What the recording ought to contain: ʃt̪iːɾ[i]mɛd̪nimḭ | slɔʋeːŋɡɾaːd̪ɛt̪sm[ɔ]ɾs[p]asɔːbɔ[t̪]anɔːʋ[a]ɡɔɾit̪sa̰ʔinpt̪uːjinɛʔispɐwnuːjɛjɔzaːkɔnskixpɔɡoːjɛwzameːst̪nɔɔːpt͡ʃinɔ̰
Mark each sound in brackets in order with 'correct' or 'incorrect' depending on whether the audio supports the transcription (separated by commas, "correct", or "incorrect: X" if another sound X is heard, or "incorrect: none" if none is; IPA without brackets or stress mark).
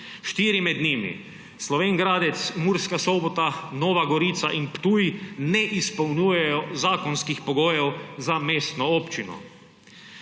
correct, incorrect: u, incorrect: k, correct, correct